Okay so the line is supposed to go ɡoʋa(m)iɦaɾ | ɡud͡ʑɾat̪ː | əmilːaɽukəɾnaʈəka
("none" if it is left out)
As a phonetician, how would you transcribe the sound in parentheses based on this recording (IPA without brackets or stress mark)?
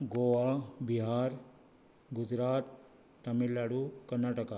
b